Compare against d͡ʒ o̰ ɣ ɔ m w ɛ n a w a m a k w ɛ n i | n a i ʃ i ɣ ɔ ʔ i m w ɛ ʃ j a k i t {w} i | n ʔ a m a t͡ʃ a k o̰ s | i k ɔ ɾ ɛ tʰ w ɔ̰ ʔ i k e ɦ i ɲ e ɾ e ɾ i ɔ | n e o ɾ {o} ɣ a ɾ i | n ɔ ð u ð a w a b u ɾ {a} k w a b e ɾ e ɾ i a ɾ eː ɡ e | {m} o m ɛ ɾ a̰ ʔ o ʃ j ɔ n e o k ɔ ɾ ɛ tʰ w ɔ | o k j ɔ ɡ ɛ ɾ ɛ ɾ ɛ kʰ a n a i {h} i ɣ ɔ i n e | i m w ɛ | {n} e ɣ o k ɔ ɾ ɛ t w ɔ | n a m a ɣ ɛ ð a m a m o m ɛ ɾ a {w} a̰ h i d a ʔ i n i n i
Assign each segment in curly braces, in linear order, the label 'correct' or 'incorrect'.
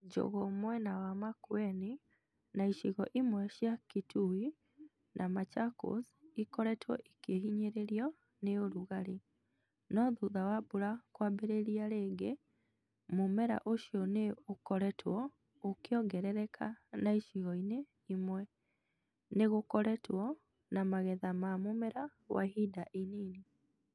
incorrect: u, incorrect: u, correct, correct, incorrect: ʃ, correct, correct

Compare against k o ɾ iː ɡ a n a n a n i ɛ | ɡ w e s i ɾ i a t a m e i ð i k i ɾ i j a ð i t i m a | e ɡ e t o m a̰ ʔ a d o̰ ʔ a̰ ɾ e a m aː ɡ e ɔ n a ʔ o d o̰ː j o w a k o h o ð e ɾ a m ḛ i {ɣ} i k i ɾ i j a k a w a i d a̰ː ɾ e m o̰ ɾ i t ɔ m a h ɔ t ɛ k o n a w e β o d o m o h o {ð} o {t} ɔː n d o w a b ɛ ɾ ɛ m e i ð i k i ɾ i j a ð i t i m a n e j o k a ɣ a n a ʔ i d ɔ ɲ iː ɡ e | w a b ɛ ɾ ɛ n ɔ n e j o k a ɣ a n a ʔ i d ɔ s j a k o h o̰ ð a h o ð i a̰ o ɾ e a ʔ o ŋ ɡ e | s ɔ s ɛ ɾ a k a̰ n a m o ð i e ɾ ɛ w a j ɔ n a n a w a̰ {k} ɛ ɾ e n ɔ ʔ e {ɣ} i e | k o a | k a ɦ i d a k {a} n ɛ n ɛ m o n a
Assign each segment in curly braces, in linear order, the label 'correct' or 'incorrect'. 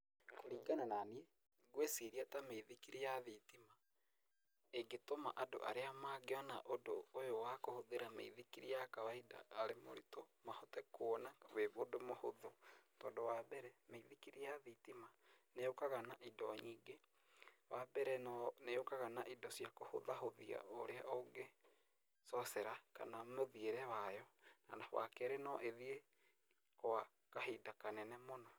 incorrect: ð, correct, correct, correct, incorrect: ð, correct

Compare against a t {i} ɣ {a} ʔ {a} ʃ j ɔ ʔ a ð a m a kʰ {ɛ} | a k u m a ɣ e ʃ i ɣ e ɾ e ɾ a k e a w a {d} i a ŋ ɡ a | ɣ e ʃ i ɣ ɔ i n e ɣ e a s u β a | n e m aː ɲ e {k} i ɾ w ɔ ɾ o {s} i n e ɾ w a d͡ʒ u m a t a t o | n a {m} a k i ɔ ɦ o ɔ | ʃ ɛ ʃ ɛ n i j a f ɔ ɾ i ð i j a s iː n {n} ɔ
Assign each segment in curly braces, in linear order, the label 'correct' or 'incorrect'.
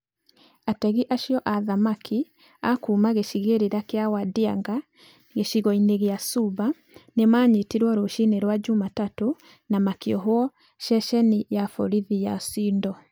incorrect: ɛ, incorrect: i, correct, incorrect: i, correct, incorrect: t, incorrect: ʃ, correct, incorrect: d

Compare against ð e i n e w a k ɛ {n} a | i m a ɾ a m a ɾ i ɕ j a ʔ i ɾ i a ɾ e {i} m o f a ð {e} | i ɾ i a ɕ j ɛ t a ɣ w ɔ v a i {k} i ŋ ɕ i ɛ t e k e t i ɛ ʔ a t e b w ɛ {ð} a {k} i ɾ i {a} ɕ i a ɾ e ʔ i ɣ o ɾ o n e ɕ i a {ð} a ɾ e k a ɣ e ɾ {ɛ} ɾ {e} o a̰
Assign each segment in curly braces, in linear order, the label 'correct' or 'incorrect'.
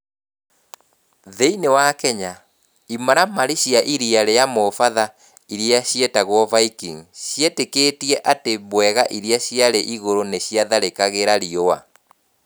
incorrect: ɲ, incorrect: a, incorrect: a, correct, incorrect: ɣ, incorrect: ʔ, correct, correct, incorrect: a, incorrect: i

